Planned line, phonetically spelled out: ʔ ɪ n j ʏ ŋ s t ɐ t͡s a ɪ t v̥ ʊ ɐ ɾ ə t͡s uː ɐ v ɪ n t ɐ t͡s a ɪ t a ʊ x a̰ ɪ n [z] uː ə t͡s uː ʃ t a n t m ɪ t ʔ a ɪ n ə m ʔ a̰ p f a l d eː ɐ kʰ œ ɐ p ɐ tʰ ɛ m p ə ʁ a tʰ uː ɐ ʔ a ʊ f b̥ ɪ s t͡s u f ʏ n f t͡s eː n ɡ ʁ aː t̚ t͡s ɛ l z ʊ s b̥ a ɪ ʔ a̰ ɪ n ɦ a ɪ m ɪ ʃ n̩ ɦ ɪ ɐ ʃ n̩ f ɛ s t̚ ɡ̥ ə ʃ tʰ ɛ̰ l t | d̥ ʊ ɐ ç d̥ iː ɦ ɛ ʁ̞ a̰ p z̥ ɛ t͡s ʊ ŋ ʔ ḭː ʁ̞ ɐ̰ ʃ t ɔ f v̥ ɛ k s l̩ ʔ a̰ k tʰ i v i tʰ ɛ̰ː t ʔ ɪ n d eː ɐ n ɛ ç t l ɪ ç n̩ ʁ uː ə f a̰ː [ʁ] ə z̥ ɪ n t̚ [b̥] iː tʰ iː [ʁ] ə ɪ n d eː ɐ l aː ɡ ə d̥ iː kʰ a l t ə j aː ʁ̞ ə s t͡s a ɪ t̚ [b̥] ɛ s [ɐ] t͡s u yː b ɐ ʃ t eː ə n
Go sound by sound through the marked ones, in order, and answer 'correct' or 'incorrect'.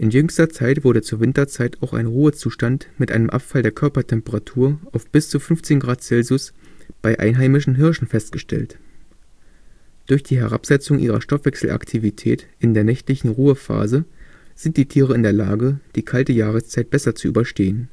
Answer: incorrect, incorrect, incorrect, correct, correct, correct

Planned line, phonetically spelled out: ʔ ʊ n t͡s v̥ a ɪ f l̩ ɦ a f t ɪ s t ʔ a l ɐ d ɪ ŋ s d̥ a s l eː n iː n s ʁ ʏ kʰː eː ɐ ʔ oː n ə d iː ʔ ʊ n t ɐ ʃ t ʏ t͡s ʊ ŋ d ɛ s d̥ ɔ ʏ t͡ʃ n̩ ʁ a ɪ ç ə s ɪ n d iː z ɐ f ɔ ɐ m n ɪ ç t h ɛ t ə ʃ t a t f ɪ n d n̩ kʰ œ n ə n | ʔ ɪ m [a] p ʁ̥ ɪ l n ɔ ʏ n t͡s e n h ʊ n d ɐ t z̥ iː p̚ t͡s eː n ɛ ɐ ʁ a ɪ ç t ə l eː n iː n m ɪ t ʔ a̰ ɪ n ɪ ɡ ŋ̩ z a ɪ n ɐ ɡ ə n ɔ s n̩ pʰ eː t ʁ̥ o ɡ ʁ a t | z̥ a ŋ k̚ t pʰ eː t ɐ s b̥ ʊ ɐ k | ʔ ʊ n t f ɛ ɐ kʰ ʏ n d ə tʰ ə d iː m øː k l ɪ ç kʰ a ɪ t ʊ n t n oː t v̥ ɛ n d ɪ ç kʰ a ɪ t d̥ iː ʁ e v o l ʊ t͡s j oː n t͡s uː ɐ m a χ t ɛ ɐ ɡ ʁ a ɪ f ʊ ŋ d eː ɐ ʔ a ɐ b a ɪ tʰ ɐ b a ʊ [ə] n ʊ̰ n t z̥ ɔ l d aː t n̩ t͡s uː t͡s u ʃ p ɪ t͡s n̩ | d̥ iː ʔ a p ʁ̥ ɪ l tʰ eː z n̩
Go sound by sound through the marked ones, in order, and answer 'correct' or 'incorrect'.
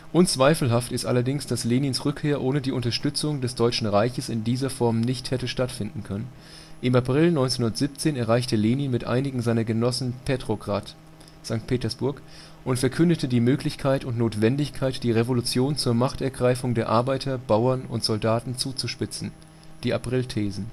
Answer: correct, incorrect

